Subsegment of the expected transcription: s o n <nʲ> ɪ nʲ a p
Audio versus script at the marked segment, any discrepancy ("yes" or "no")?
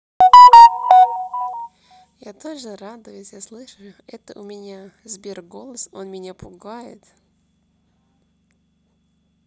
yes